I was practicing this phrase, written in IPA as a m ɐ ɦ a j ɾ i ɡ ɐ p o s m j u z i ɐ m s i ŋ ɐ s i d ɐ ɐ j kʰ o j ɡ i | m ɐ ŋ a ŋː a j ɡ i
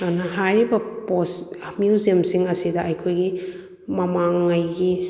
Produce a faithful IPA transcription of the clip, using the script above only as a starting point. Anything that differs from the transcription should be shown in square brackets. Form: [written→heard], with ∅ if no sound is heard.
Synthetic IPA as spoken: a [m→n] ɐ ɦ a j ɾ i [ɡ→b] ɐ p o s m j u z i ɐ m s i ŋ ɐ s i d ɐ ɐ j kʰ o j ɡ i | m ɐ [ŋ→m] a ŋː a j ɡ i